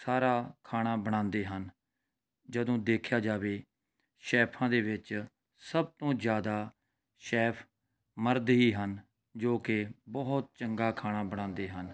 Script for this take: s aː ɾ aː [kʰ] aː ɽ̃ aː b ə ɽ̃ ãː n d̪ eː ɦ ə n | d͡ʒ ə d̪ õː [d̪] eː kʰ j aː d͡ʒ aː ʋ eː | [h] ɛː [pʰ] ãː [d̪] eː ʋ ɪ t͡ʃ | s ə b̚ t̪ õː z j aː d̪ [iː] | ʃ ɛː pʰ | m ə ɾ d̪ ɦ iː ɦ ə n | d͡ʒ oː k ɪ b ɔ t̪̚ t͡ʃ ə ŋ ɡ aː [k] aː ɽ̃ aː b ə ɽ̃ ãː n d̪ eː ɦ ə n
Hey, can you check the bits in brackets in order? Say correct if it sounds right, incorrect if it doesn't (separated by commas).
correct, correct, incorrect, correct, correct, incorrect, incorrect